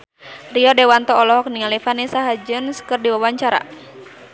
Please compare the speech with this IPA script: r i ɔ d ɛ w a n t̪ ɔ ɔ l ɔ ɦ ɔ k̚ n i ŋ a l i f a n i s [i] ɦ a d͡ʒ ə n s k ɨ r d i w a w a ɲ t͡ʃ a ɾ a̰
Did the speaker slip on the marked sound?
yes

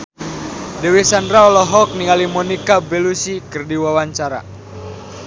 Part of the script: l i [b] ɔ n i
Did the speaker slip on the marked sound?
yes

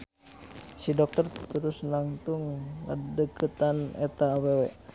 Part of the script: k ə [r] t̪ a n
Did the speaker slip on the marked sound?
yes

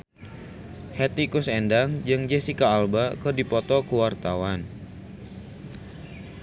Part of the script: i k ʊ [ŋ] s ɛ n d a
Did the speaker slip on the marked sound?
yes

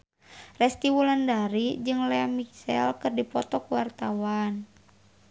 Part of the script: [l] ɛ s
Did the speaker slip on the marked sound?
yes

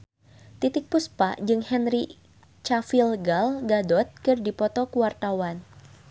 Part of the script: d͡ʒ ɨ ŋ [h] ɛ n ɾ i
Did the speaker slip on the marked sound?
no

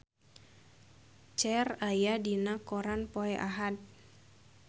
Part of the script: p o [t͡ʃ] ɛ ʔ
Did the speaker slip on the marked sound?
yes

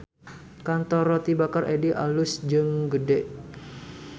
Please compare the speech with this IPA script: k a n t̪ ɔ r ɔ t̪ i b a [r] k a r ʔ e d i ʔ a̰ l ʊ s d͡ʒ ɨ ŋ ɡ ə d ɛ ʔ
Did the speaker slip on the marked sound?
yes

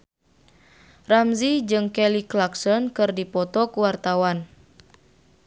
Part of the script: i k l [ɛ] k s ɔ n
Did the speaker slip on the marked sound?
yes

